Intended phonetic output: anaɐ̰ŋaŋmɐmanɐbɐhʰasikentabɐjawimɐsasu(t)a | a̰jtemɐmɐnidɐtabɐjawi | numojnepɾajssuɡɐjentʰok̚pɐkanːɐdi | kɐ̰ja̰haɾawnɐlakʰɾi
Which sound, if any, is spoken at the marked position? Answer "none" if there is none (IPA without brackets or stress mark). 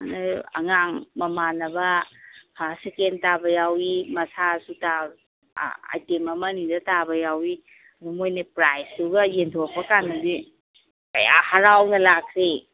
t